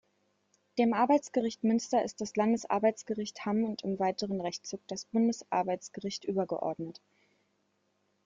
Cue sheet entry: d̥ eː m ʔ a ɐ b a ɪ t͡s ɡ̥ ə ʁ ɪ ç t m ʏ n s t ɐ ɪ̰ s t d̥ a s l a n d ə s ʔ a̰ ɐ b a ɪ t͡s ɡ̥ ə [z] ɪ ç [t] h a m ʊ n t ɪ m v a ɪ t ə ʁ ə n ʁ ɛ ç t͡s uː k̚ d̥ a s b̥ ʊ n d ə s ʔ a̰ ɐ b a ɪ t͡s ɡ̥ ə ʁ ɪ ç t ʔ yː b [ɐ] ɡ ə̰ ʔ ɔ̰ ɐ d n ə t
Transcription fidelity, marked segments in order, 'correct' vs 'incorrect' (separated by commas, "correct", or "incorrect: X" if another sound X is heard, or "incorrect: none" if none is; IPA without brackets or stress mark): incorrect: ʁ, correct, correct